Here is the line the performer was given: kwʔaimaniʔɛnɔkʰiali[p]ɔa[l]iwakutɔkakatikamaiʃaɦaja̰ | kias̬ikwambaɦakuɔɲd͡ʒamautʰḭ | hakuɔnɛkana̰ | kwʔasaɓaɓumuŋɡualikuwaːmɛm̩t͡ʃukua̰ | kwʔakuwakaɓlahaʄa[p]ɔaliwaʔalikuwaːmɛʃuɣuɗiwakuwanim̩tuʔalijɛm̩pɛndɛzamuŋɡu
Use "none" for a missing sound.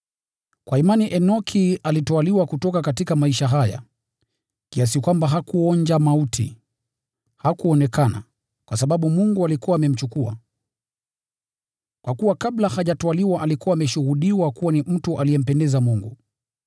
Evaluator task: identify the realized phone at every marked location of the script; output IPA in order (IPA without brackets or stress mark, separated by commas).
t, l, t